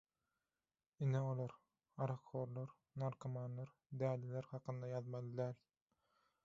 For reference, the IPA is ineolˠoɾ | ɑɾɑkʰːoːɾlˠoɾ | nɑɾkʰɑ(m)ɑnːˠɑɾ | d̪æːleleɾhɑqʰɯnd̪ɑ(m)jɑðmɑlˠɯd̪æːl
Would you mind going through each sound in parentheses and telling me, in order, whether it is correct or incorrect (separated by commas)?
correct, incorrect